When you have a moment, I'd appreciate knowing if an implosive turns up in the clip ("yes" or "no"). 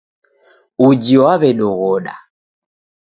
yes